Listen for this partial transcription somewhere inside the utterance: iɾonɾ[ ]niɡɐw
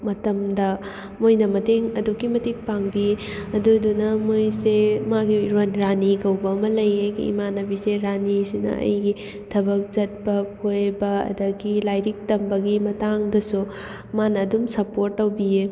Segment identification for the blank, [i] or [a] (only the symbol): a